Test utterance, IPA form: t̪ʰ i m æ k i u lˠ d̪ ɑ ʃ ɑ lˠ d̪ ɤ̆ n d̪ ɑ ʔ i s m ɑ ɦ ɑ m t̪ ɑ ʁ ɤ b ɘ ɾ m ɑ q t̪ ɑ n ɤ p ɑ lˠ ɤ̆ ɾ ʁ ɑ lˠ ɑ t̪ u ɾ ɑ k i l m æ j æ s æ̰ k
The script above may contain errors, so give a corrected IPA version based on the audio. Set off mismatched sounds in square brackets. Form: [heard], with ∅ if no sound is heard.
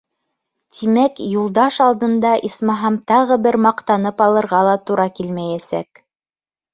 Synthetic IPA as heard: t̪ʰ i m æ k [j] u lˠ d̪ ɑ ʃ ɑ lˠ d̪ ɤ̆ n d̪ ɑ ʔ i s m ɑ ɦ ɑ m t̪ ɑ ʁ ɤ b ɘ ɾ m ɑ q t̪ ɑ n ɤ p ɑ lˠ ɤ̆ ɾ ʁ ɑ lˠ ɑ t̪ u ɾ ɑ k i l m æ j æ s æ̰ k